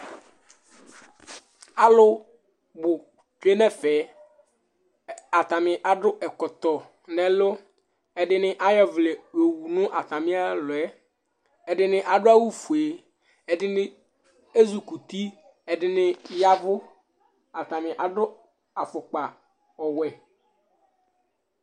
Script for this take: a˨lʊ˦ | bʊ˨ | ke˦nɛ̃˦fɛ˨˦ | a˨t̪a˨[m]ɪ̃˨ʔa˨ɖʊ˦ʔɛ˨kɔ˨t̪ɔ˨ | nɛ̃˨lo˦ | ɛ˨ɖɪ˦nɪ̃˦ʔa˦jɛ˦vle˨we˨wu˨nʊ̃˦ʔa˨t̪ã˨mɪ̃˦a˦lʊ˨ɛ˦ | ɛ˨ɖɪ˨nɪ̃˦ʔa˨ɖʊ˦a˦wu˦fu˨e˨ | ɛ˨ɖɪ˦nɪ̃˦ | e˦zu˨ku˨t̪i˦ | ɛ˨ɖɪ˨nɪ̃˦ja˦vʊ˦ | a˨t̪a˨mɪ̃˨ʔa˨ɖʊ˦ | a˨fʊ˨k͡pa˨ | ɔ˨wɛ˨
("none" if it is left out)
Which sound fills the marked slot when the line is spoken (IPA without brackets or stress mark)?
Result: m